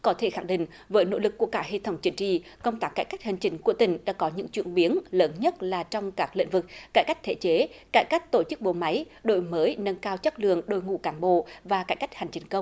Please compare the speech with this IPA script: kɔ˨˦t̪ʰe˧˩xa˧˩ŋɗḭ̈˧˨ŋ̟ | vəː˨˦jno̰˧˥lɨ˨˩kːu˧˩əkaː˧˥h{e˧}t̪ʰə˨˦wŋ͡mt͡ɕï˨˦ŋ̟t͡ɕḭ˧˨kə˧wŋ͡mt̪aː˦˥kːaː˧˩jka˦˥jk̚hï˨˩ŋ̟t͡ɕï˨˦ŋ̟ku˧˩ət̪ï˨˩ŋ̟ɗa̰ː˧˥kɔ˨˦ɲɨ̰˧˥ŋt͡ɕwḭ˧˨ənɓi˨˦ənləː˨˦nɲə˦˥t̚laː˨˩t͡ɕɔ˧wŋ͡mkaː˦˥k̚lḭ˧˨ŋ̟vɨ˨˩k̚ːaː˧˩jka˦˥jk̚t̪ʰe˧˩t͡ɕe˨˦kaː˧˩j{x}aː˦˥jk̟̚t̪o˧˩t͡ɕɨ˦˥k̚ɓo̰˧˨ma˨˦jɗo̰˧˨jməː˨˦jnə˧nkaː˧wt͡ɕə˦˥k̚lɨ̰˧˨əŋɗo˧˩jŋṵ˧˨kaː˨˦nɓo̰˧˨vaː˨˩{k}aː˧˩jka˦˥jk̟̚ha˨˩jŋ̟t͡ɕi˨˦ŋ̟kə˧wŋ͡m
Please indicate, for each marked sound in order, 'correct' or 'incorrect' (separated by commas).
correct, incorrect, correct